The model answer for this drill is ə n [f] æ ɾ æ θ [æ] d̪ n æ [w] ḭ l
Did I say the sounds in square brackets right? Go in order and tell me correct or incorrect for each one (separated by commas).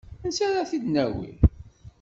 incorrect, incorrect, correct